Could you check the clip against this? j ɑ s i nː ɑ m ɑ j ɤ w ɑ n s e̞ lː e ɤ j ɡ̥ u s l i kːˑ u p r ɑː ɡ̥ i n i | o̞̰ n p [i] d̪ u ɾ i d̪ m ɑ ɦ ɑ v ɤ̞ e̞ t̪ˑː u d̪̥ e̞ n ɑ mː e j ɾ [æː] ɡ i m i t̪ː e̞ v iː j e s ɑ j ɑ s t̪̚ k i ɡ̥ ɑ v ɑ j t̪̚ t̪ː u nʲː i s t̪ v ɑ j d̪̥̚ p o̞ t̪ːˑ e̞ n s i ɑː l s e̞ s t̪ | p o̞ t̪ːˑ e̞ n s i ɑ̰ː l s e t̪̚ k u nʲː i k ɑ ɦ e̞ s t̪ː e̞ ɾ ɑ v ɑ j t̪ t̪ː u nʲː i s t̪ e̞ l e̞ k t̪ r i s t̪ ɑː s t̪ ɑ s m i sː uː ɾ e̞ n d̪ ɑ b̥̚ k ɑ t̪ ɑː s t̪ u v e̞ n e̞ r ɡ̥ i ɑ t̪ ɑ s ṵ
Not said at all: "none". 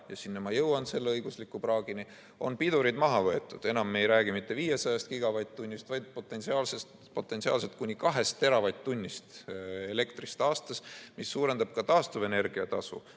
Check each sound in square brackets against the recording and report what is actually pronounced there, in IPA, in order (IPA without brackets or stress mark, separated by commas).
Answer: i, æː